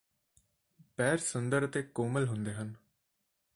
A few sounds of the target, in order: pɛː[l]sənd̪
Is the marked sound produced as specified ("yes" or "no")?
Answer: no